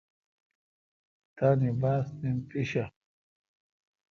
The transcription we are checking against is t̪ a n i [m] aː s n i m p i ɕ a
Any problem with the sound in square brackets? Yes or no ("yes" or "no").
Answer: yes